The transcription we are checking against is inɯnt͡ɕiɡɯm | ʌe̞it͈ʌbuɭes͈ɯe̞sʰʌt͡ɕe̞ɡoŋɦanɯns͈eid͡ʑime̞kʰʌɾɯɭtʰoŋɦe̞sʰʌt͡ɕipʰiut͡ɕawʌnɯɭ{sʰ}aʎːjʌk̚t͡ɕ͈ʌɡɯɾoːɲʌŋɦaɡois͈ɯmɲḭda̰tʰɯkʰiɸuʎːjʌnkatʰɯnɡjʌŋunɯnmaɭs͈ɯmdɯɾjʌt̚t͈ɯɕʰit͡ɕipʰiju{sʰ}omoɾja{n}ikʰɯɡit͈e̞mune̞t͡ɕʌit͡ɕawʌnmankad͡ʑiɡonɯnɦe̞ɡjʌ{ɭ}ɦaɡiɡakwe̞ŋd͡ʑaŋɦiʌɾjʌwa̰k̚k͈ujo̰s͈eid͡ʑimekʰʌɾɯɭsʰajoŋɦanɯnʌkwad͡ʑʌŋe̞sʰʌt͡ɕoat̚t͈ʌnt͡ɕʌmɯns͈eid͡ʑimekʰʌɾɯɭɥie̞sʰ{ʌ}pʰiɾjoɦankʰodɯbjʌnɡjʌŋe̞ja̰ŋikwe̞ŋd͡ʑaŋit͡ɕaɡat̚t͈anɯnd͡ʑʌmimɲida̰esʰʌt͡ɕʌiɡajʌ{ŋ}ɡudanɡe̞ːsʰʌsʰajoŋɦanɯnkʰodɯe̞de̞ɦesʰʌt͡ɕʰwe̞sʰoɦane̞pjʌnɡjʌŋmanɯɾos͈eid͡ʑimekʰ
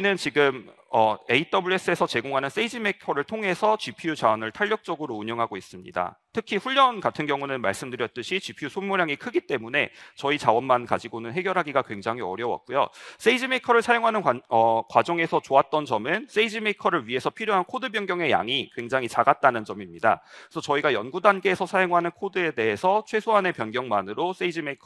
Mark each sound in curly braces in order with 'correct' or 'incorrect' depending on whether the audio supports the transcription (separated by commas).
incorrect, correct, incorrect, incorrect, correct, incorrect